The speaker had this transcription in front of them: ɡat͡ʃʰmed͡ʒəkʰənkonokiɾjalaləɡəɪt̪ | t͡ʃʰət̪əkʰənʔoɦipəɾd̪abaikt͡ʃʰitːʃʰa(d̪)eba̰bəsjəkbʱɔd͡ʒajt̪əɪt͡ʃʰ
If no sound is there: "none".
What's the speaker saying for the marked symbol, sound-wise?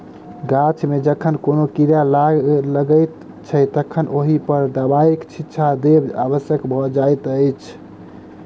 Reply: d̪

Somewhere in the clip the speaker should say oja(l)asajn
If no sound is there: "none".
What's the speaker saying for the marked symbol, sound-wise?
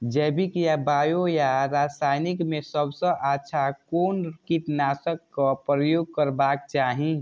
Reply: ɾ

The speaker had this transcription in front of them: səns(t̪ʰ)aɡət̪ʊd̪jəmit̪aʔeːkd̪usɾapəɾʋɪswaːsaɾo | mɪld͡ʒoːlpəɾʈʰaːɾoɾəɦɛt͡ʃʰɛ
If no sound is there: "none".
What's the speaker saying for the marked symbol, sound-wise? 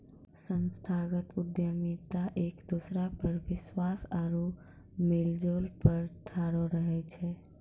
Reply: t̪ʰ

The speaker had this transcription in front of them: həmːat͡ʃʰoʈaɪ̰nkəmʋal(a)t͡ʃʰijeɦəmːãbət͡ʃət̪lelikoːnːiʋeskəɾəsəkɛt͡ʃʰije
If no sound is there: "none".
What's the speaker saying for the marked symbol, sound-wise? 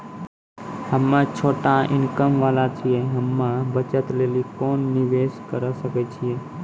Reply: a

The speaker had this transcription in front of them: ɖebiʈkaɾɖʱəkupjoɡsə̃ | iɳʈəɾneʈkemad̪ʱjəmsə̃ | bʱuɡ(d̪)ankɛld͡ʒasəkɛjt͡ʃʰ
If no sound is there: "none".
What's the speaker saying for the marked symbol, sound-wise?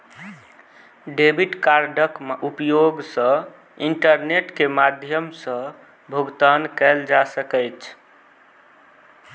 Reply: t̪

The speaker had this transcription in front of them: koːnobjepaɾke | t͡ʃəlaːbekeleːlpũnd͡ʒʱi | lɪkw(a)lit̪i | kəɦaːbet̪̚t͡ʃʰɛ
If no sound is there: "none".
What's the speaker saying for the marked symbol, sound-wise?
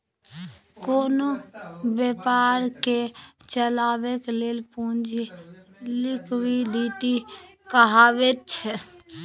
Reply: i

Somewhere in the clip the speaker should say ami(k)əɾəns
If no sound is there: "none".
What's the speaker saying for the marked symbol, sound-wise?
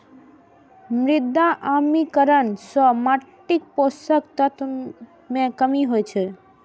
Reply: k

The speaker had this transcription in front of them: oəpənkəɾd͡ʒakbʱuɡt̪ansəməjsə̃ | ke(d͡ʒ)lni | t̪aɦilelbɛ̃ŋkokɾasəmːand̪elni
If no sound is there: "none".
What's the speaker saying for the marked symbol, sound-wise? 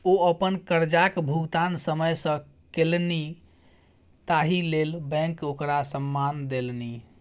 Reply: none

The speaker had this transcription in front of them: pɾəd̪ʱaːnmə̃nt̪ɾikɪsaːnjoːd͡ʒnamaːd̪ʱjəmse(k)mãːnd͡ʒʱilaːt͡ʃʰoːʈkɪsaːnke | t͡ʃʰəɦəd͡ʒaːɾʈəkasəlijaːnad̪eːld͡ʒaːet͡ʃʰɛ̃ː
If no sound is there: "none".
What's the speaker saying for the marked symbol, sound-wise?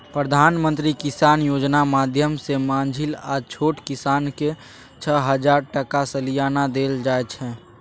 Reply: none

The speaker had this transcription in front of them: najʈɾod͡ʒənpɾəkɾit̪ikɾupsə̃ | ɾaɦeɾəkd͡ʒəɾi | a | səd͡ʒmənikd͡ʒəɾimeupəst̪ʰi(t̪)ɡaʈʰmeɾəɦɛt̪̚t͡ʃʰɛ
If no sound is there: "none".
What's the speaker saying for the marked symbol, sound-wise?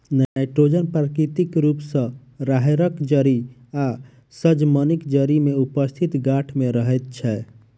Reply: t̪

